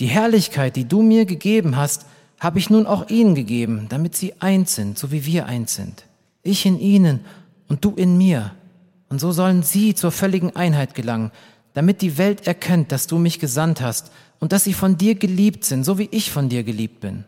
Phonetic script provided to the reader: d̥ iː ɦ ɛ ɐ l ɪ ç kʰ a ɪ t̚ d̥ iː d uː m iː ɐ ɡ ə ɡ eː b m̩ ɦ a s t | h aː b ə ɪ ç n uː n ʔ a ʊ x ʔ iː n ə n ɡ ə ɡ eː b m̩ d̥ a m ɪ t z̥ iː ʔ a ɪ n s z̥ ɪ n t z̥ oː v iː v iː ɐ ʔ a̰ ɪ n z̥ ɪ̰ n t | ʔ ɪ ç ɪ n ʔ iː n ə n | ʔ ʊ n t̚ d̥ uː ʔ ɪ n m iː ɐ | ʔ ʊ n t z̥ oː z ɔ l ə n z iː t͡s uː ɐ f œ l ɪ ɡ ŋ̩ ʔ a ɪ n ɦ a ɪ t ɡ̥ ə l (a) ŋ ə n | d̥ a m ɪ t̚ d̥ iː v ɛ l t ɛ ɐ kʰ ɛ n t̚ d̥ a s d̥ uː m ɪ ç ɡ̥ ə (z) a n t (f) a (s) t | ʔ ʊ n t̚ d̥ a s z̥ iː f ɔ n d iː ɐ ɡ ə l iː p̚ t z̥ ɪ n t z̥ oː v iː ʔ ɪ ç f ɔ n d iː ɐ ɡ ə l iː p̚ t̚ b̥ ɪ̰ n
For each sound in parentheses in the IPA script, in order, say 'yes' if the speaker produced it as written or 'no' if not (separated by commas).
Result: yes, yes, no, yes